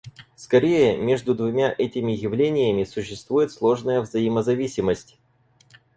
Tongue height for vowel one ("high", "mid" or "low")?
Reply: low